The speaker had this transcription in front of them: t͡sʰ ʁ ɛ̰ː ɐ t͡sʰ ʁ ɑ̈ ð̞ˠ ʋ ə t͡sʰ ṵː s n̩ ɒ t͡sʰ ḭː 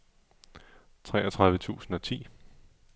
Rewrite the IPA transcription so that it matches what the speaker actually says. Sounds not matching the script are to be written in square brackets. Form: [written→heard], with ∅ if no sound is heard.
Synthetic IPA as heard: t͡sʰ ʁ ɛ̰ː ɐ t͡sʰ ʁ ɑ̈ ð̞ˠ ʋ ə t͡sʰ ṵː s n̩ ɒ t͡sʰ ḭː